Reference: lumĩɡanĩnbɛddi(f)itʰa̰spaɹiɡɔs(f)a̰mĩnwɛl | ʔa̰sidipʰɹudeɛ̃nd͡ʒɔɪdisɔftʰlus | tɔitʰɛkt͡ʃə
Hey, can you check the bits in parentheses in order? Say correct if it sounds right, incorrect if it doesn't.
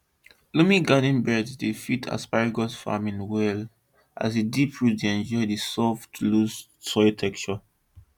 correct, correct

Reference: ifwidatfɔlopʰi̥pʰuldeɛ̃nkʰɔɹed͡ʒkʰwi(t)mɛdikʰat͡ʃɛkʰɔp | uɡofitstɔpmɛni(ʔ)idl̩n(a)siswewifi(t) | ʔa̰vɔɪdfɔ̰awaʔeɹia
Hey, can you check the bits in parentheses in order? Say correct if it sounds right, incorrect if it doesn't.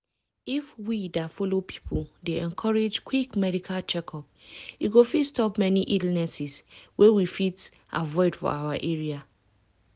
incorrect, correct, incorrect, correct

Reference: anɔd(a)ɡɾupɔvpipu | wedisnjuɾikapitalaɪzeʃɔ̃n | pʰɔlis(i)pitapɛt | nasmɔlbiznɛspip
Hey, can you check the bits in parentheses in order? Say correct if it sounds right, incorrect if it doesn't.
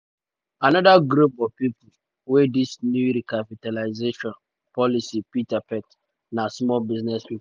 correct, correct

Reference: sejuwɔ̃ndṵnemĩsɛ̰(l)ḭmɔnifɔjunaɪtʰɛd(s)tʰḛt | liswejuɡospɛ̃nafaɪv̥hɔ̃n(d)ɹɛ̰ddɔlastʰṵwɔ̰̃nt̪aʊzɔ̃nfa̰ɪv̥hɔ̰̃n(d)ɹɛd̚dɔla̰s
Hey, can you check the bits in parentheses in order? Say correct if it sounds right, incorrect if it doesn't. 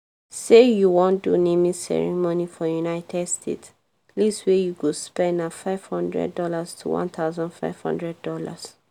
incorrect, correct, correct, correct

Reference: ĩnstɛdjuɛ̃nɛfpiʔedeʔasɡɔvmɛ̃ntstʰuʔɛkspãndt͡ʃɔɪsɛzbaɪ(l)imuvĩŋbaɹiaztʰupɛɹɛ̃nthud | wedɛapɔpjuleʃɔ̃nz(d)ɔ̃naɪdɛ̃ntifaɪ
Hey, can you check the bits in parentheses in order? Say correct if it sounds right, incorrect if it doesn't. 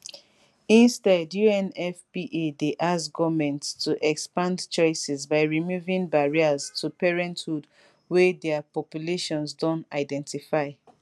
incorrect, correct

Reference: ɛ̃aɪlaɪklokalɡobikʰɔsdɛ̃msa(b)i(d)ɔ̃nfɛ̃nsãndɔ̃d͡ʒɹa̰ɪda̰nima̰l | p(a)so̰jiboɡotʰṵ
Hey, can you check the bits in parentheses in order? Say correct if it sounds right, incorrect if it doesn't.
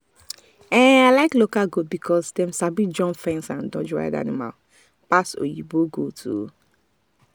correct, incorrect, correct

